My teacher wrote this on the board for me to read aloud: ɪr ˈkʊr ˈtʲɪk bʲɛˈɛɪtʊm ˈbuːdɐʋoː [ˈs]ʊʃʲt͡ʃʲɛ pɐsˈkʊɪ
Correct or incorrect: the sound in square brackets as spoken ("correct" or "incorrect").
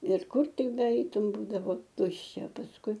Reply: incorrect